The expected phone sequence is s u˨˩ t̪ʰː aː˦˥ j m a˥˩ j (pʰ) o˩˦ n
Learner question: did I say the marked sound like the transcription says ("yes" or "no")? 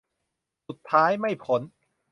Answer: yes